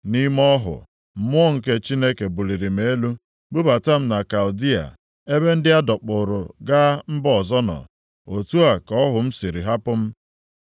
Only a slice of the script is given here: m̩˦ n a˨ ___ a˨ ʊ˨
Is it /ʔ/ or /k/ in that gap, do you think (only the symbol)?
k